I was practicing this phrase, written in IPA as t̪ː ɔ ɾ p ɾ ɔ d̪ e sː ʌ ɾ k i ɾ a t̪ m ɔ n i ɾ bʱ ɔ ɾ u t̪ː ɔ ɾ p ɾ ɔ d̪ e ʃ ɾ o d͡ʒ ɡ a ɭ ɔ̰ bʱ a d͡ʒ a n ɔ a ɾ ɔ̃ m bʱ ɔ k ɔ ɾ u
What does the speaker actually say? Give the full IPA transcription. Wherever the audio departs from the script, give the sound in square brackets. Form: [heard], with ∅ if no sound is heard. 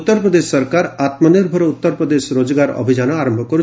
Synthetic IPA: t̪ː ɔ ɾ p ɾ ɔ d̪ e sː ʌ ɾ k [a] ɾ a t̪ m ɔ n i ɾ bʱ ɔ ɾ u t̪ː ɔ ɾ p ɾ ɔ d̪ e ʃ ɾ o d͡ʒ ɡ a [ɾ] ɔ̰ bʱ [i] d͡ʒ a n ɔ a ɾ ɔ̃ m bʱ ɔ k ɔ ɾ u